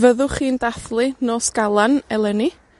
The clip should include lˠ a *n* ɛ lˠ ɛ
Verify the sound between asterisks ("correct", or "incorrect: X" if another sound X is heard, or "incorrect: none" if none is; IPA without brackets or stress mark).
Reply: correct